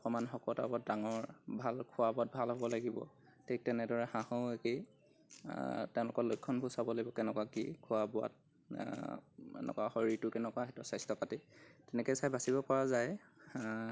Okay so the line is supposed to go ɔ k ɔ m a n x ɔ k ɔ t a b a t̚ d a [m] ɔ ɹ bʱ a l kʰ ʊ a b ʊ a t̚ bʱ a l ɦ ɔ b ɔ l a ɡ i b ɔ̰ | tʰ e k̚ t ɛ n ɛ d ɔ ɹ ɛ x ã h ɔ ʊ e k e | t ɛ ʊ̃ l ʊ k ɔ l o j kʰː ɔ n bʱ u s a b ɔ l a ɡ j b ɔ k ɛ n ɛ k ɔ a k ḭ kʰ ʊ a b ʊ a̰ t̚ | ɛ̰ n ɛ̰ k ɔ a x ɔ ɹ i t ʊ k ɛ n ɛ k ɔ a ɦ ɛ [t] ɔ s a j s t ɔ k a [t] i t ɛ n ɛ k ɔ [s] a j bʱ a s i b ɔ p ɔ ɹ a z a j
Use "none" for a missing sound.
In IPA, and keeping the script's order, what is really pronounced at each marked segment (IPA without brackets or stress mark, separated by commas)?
ŋ, t, t, s